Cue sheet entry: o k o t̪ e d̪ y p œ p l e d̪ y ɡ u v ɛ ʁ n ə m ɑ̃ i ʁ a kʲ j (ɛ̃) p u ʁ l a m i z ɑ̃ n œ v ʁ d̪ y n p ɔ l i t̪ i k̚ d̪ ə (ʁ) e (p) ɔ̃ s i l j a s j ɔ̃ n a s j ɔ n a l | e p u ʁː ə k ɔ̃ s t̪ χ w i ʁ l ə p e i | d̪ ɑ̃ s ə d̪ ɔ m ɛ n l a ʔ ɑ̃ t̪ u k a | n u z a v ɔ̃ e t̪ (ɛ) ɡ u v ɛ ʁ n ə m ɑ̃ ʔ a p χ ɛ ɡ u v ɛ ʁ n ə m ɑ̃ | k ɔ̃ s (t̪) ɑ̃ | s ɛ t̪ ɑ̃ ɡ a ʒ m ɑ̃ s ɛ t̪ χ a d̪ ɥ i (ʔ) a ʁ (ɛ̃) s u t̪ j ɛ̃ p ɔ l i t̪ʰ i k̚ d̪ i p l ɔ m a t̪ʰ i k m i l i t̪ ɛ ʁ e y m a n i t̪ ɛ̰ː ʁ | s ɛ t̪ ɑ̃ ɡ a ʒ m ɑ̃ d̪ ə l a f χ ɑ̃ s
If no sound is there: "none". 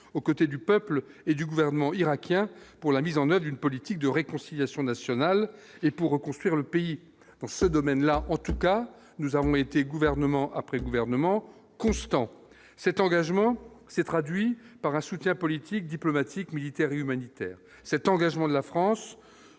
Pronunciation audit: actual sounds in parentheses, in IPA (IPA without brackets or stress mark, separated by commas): ɛ̃, ʁ, k, e, t̪, p, ɛ̃